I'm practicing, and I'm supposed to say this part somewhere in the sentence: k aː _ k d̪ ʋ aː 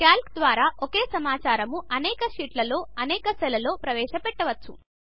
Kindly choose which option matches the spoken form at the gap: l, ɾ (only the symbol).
l